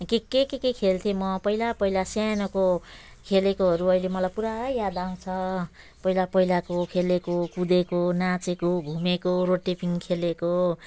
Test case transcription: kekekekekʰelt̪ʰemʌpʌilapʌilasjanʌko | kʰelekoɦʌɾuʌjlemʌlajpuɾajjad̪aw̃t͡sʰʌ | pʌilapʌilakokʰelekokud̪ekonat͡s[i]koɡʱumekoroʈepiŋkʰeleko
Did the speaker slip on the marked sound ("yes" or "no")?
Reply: yes